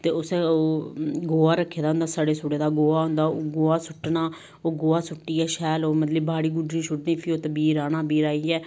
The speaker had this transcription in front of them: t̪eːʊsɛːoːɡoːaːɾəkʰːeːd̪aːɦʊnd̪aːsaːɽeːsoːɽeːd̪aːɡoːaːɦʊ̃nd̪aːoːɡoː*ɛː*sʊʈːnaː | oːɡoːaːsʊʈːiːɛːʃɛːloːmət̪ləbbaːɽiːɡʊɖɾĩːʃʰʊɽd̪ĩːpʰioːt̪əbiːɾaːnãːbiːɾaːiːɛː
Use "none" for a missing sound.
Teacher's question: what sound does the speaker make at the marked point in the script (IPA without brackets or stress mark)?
aː